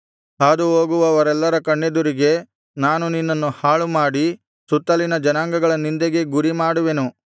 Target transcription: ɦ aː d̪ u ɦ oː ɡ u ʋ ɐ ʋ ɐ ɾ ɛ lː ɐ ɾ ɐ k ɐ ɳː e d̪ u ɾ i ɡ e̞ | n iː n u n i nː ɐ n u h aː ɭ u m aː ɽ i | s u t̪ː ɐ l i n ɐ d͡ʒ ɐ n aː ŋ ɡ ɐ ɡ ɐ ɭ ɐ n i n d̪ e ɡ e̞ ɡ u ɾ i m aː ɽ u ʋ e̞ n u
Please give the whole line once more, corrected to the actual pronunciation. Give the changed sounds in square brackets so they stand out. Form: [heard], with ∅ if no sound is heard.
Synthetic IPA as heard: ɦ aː d̪ u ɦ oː ɡ u ʋ ɐ ʋ ɐ ɾ ɛ lː ɐ ɾ ɐ k ɐ ɳː e d̪ u ɾ i ɡ e̞ | n [aː] n u n i nː ɐ [nː] u h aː ɭ u m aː ɽ i | s u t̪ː ɐ l i n ɐ d͡ʒ ɐ n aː ŋ ɡ ɐ ɡ ɐ ɭ ɐ n i n d̪ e ɡ e̞ ɡ u ɾ i m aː ɽ u ʋ e̞ n u